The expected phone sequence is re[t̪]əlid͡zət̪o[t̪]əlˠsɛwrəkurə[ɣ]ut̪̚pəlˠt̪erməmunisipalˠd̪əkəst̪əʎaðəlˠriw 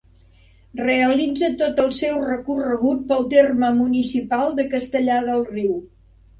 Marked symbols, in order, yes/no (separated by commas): no, yes, yes